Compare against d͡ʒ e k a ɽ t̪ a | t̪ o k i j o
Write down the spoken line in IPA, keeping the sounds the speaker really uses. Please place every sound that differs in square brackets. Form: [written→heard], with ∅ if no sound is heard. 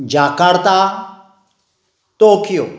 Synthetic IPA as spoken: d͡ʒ [e→a] k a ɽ t̪ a | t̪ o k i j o